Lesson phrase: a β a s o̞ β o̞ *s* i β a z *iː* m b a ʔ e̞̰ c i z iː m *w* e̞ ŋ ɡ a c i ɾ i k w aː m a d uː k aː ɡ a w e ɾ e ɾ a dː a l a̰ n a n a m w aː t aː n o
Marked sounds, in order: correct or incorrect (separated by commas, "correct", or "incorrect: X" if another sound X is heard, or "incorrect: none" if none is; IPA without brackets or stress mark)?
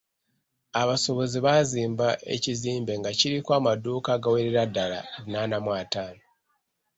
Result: incorrect: z, correct, incorrect: b